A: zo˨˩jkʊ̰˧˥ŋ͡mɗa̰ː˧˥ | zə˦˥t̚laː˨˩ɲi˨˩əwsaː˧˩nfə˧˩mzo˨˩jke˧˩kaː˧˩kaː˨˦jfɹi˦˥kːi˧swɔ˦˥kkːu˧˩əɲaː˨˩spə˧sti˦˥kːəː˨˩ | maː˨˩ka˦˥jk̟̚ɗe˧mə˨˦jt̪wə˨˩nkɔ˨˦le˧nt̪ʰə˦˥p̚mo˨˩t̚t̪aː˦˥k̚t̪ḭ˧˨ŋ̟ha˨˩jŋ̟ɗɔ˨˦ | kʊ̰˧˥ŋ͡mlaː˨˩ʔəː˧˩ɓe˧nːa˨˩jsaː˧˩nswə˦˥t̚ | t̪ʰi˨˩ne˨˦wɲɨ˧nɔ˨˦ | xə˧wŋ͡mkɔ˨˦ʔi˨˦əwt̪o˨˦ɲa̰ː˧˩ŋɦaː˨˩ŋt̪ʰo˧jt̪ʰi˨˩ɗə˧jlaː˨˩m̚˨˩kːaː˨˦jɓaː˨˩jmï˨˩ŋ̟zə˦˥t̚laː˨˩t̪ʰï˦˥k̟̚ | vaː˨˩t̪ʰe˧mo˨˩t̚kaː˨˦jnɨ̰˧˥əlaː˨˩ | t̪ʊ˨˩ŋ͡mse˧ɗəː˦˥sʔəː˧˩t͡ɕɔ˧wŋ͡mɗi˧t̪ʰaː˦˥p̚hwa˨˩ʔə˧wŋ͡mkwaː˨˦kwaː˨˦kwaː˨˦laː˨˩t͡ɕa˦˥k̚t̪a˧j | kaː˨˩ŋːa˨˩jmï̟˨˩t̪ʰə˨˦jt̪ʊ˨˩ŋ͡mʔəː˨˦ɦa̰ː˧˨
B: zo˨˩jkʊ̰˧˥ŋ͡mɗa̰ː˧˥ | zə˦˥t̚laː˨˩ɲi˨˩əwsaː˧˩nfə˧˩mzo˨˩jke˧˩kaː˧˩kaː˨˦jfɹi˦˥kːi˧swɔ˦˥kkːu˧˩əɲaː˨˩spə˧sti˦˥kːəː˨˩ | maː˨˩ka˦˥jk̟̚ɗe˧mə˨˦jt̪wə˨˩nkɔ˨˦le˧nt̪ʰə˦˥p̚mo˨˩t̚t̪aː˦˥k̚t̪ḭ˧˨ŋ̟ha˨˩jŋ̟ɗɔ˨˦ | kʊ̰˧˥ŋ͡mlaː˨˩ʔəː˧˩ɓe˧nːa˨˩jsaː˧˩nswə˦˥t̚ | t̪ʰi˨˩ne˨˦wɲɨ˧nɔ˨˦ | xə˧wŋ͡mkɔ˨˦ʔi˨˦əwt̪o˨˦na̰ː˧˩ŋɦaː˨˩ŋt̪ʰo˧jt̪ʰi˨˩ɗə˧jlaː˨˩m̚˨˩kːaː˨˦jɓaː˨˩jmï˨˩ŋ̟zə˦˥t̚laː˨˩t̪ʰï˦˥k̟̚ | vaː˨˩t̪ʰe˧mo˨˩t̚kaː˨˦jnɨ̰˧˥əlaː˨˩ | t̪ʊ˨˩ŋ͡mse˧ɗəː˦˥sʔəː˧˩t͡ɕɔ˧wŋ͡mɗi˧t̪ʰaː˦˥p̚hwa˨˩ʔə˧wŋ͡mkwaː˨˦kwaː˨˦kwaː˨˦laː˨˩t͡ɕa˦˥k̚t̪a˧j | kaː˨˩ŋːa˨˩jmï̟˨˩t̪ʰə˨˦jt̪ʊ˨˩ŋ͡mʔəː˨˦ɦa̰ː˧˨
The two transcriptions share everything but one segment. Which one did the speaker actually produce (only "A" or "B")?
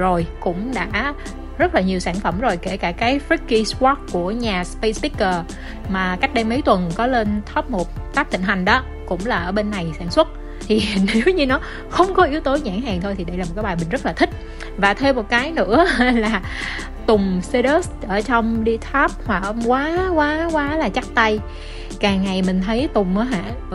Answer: A